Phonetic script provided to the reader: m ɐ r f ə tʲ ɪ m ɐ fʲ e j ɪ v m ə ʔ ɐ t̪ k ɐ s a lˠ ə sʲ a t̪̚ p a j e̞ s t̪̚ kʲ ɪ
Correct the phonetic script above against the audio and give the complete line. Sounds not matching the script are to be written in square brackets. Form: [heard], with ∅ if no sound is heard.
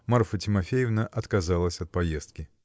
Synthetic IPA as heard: m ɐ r f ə tʲ ɪ m ɐ fʲ e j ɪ v [n] ə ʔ ɐ t̪ k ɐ [z] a lˠ ə sʲ [ɐ] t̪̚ p [ɐ] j e̞ s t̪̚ kʲ ɪ